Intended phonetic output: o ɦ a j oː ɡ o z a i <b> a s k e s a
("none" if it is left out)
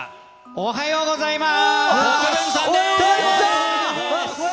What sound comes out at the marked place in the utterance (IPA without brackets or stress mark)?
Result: m